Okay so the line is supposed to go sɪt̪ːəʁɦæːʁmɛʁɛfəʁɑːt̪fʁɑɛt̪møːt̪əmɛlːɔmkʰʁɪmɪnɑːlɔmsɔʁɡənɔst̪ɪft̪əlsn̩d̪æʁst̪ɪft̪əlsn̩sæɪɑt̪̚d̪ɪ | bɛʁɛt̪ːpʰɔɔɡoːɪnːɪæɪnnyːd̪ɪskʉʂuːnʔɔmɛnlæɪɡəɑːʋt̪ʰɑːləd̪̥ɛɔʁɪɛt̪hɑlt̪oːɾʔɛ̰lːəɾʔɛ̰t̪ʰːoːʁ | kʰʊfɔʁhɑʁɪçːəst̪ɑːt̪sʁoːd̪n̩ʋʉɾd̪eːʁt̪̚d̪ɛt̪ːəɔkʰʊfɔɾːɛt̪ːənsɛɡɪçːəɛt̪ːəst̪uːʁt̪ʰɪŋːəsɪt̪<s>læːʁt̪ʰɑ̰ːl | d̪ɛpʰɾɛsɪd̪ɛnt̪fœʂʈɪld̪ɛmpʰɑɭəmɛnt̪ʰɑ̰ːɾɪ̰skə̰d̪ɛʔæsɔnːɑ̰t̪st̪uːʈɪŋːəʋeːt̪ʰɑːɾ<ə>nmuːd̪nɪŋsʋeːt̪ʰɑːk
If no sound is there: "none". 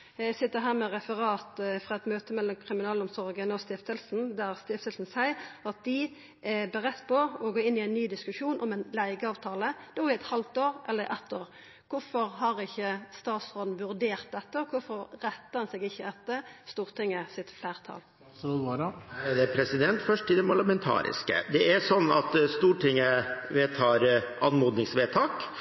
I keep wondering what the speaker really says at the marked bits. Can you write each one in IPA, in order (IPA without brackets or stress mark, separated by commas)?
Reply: f, ɑ